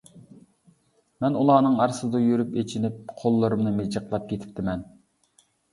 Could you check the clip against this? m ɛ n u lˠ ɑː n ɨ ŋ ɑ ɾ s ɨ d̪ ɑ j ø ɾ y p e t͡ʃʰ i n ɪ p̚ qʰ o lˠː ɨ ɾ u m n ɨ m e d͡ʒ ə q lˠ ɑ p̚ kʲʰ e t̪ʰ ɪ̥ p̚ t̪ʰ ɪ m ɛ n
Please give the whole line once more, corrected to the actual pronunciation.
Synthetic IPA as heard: m ɛ n u lˠ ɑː n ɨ ŋ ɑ ɾ s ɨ d̪ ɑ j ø ɾ y p e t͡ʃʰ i n ɪ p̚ qʰ o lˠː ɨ ɾ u m n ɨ m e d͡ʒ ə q lˠ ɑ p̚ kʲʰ e t̪ʰ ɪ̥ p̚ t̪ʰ ɪ m ɛ n